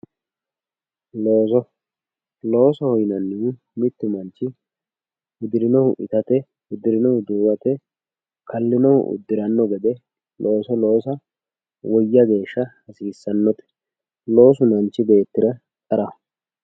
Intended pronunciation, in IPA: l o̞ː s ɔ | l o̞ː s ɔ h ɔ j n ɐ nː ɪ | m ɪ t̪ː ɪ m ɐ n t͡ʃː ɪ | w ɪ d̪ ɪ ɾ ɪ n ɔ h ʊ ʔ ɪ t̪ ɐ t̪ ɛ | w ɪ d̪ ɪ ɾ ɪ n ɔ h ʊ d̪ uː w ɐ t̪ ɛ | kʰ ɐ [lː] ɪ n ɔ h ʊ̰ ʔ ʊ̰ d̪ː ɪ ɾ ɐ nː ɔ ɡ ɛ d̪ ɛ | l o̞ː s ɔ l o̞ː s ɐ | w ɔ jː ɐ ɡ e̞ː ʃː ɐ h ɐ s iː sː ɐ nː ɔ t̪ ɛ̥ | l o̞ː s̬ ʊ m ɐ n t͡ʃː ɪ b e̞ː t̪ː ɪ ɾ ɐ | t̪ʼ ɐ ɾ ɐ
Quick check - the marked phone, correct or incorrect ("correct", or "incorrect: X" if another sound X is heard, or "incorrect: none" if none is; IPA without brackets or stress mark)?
correct